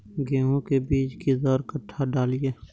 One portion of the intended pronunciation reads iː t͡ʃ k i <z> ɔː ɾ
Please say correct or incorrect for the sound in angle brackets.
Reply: correct